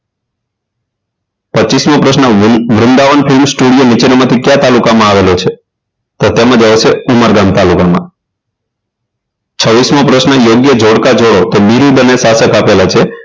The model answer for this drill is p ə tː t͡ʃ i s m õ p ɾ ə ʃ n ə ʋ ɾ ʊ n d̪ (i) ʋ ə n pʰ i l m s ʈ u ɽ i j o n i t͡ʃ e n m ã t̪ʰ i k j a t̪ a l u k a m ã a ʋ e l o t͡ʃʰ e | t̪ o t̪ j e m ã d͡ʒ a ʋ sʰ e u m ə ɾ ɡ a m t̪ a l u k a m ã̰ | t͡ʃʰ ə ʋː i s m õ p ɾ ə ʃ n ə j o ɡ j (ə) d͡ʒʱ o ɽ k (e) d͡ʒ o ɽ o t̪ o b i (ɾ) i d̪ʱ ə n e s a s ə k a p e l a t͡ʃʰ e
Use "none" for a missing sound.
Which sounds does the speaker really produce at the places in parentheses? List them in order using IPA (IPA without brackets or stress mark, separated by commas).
a, ə, a, ɾ